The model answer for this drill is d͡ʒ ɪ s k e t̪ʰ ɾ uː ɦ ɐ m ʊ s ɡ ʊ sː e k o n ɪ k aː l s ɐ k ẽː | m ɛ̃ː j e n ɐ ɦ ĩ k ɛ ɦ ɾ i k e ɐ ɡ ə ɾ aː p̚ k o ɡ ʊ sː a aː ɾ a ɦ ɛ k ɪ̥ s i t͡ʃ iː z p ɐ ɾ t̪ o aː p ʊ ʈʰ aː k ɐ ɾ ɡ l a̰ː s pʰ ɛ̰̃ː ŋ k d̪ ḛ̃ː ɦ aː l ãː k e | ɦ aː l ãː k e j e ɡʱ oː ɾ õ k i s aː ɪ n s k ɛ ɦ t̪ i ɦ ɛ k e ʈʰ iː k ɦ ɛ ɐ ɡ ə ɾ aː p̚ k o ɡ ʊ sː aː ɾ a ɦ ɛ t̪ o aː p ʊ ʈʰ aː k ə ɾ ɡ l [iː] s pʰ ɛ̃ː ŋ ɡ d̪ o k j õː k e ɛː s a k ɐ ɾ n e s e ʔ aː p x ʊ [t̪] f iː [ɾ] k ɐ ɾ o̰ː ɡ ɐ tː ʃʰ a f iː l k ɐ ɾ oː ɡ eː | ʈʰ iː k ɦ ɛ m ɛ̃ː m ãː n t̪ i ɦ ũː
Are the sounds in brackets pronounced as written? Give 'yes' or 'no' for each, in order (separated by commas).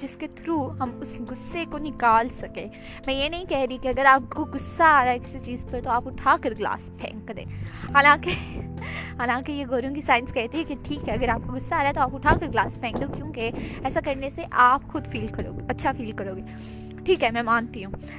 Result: no, no, no